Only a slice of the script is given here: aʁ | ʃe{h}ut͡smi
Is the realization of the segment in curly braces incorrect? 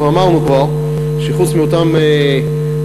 yes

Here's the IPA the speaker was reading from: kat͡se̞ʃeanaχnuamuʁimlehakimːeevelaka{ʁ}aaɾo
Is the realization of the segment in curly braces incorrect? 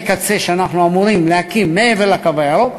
yes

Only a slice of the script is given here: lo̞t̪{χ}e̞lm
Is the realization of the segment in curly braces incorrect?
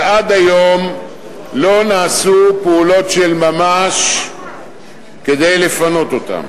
yes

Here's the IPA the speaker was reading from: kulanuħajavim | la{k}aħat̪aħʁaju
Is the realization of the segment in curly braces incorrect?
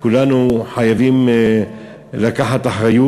no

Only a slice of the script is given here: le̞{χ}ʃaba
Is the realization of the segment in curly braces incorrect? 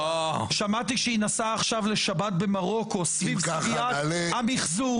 yes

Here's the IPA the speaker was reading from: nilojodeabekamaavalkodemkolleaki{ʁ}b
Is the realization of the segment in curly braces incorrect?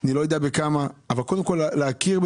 no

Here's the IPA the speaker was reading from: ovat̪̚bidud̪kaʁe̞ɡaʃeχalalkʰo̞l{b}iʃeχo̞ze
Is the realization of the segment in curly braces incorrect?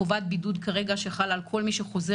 yes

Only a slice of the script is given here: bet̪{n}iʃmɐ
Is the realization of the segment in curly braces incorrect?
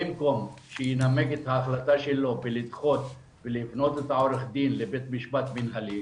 yes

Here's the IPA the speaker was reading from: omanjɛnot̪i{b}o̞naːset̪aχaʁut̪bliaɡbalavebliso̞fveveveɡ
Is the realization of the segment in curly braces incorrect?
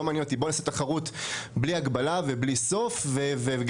no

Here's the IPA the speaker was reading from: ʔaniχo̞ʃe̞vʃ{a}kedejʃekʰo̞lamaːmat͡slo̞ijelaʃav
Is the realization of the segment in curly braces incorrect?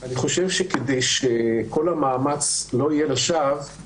yes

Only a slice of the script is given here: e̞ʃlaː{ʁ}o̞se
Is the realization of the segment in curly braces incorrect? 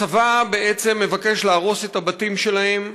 no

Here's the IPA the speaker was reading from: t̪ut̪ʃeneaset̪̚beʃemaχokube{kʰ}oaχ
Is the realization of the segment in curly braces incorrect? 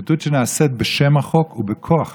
no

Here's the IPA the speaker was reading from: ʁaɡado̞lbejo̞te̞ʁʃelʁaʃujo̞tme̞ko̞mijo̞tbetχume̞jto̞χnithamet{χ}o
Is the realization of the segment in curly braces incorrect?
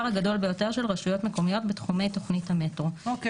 yes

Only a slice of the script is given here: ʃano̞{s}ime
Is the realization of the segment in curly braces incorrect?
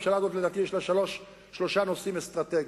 no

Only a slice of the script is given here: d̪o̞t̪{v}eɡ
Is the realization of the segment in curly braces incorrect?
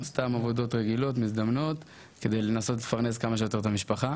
yes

